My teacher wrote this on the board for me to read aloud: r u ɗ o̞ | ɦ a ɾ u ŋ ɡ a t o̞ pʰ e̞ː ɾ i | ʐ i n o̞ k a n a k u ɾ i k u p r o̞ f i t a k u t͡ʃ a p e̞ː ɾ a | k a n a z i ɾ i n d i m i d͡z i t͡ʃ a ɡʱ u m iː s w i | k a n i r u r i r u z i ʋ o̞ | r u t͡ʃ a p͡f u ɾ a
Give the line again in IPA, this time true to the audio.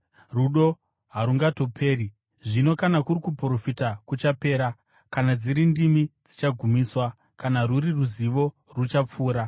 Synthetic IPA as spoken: r u ɗ o̞ | ɦ a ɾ u ŋ ɡ a t o̞ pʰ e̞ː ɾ i | ʐ i n o̞ k a n a k u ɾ i k u p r o̞ f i t a k u t͡ʃ a p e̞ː ɾ a | k a n a d͡z i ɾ i n d i m i d͡z i t͡ʃ a ɡʱ u m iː s w a | k a n a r u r i r u z i ʋ o̞ | r u t͡ʃ a p͡f uː ɾ a